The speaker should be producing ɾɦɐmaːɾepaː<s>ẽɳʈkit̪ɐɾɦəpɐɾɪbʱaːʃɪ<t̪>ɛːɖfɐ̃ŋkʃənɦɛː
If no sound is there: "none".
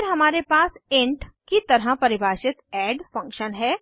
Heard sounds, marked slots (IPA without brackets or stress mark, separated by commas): s, t̪